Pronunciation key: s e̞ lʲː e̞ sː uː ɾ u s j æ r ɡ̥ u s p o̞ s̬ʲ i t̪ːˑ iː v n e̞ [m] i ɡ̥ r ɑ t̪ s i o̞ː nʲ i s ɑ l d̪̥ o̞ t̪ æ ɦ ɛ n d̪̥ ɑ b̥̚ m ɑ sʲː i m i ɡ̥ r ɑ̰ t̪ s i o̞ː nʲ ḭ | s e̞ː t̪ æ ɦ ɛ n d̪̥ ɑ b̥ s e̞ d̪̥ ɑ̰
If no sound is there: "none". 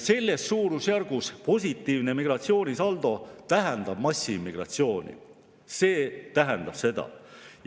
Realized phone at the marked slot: m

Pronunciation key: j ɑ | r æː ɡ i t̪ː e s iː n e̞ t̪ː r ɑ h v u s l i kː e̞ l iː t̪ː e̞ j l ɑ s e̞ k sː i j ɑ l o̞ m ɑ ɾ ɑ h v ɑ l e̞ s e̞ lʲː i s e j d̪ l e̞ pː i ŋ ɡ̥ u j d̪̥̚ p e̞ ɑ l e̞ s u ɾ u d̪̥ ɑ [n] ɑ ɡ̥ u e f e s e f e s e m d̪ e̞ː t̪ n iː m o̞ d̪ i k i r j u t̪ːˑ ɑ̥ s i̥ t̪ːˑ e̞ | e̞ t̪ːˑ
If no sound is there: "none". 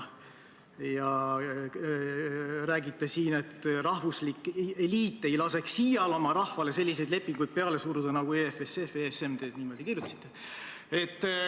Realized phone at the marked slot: n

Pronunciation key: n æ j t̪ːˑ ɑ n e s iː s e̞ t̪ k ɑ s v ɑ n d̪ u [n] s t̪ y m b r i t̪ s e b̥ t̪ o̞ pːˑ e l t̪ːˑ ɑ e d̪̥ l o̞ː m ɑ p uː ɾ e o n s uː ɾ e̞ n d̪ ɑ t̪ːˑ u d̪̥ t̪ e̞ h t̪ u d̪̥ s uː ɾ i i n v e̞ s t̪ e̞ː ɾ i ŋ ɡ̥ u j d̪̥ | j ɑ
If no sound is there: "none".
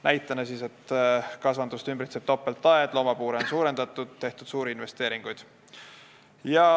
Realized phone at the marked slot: none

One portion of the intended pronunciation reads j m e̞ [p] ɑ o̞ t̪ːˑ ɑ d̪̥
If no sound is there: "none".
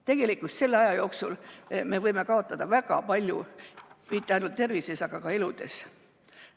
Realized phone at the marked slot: k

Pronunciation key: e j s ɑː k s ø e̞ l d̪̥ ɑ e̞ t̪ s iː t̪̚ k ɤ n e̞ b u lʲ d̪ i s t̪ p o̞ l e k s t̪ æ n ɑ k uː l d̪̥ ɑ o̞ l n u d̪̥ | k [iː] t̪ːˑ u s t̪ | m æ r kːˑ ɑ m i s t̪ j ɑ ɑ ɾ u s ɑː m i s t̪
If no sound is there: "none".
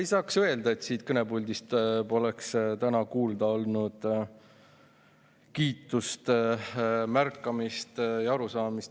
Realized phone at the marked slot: iː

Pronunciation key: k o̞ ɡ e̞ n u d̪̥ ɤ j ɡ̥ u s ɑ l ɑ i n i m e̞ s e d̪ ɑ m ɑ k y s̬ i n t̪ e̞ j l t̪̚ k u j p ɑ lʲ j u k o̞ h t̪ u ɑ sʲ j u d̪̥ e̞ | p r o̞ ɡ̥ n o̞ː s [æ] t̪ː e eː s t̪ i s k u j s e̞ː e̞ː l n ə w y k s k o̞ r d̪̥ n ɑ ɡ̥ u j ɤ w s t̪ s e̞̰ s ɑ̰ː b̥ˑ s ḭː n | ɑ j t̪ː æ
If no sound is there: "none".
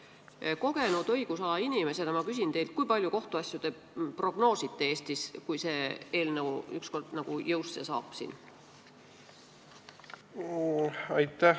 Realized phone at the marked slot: i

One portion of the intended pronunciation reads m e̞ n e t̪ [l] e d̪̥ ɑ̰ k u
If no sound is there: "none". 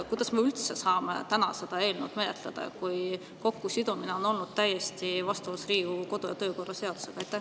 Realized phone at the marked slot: l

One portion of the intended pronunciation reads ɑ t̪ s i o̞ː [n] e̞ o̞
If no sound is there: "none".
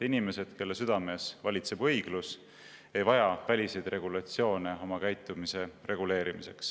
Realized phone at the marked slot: n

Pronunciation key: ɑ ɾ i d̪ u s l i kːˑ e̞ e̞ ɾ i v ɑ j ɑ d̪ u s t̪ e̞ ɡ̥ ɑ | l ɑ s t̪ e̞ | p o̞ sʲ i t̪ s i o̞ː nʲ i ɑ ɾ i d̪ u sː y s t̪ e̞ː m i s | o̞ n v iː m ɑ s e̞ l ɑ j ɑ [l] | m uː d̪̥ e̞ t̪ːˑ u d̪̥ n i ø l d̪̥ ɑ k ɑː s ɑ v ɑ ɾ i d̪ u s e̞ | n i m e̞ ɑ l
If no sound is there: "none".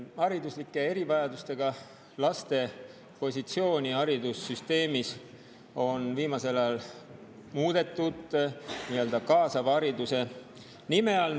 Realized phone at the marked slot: l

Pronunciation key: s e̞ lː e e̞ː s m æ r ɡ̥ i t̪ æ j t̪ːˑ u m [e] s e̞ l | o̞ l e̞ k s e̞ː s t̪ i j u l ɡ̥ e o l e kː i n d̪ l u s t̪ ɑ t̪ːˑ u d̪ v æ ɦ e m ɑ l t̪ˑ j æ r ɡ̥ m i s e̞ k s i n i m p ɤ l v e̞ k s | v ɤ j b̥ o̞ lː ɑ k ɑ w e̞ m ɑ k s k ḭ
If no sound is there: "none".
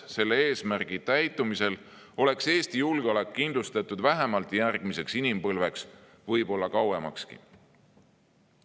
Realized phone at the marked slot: i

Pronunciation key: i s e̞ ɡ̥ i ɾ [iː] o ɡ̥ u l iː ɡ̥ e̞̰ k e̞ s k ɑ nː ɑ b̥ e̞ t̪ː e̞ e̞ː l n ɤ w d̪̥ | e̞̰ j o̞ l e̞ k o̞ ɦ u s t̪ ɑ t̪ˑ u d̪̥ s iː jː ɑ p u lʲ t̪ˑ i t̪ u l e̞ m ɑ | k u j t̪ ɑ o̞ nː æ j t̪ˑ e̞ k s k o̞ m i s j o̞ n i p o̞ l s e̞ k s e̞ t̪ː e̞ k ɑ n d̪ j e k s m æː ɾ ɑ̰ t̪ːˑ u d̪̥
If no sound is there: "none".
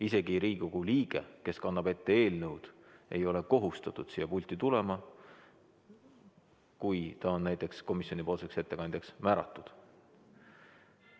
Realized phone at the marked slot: iː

